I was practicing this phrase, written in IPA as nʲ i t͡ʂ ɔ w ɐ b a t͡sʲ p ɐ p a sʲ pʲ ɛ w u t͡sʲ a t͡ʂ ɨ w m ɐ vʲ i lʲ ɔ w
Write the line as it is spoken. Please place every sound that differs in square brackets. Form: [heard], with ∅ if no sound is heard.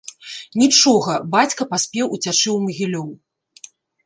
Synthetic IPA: nʲ i t͡ʂ ɔ [ɣ] ɐ b a t͡sʲ [k] ɐ p a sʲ pʲ ɛ w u t͡sʲ a t͡ʂ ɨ w m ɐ [ɣʲ] i lʲ ɔ w